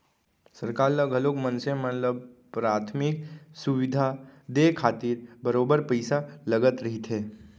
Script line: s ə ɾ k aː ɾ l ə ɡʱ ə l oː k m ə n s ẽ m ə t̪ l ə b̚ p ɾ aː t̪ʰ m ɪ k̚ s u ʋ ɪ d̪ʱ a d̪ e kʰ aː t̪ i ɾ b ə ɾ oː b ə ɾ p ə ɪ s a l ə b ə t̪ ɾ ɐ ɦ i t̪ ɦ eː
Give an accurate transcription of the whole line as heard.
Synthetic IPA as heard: s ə ɾ k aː ɾ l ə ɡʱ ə l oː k m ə n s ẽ m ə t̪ l ə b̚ p ɾ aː t̪ʰ m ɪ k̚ s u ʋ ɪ d̪ʱ a d̪ e kʰ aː t̪ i ɾ b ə ɾ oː b ə ɾ p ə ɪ s a l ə ɡ ə t̪ ɾ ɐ ɦ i t̪ ɦ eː